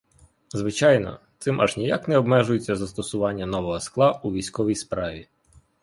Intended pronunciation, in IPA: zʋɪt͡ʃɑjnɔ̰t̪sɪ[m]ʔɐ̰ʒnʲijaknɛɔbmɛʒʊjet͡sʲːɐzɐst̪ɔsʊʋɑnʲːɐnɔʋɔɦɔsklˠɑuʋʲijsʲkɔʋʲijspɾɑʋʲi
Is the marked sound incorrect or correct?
correct